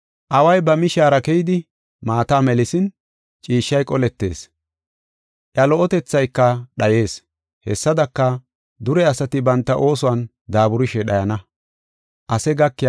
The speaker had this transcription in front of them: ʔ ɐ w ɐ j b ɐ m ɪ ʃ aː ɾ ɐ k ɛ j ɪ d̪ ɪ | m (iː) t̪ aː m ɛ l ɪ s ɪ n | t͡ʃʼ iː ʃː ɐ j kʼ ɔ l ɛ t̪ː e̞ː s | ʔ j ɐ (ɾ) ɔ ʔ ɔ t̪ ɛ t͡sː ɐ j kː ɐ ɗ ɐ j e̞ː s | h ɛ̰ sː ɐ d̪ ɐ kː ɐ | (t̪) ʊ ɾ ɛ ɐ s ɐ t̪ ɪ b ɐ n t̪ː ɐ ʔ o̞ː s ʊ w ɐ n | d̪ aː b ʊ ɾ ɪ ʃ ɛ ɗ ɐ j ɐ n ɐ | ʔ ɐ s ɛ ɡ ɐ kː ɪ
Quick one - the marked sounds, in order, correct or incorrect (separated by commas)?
incorrect, incorrect, incorrect